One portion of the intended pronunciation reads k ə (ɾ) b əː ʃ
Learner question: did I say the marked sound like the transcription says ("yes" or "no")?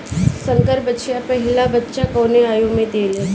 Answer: yes